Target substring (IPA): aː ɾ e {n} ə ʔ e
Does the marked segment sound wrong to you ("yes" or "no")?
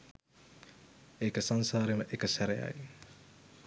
yes